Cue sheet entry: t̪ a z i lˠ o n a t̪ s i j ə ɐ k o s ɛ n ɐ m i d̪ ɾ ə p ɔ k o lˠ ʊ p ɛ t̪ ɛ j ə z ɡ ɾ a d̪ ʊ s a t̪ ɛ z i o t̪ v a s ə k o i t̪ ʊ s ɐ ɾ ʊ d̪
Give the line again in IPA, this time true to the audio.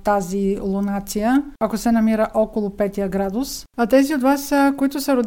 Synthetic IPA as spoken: t̪ a z i lˠ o n a t̪ s i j ə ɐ k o s ɛ n ɐ m i ɾ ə ʔ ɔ k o lˠ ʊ p ɛ t̪ i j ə ɡ ɾ a d̪ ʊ s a t̪ ɛ z i o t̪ v a s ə k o i t̪ ʊ s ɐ ɾ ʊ d̪